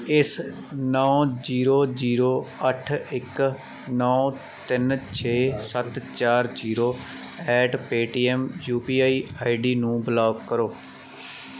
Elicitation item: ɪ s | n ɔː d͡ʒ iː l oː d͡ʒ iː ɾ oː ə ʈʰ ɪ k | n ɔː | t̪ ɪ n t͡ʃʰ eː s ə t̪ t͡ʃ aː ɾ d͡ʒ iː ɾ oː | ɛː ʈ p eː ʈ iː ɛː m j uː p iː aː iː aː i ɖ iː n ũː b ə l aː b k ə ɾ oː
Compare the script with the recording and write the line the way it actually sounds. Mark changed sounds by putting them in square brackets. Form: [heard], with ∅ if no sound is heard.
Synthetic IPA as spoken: ɪ s | n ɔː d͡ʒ iː [ɾ] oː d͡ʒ iː ɾ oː ə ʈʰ ɪ k | n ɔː | t̪ ɪ n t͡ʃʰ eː s ə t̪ t͡ʃ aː ɾ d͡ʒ iː ɾ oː | ɛː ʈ p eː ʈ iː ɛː m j uː p iː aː iː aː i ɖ iː n ũː b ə l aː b k ə ɾ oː